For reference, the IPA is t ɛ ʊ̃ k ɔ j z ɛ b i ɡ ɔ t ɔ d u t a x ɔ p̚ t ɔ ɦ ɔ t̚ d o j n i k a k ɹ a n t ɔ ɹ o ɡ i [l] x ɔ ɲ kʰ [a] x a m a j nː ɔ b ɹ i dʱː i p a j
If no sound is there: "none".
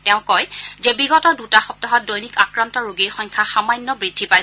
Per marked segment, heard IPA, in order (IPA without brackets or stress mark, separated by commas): ɹ, a